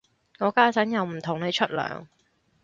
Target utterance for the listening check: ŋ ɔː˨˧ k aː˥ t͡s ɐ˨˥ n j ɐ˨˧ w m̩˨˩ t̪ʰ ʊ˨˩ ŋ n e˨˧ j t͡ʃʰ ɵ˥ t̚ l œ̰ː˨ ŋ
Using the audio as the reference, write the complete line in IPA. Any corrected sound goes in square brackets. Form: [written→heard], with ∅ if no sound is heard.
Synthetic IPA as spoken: ŋ ɔː˨˧ k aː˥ t͡s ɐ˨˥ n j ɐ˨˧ w m̩˨˩ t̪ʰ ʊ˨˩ ŋ n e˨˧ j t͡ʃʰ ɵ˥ t̚ l œ̰ː˨ ŋ